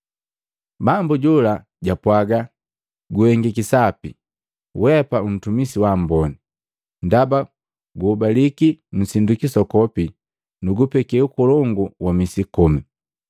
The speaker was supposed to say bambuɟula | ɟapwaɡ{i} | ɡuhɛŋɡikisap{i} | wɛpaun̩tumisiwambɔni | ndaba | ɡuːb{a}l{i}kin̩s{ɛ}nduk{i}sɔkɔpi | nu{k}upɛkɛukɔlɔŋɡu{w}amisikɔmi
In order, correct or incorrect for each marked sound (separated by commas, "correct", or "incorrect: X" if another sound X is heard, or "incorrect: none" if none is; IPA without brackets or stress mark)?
incorrect: a, correct, correct, correct, incorrect: i, correct, incorrect: ɡ, correct